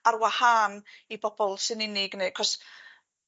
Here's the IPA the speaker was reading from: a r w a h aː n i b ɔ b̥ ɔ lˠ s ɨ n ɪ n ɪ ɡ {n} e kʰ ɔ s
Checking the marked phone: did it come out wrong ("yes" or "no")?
no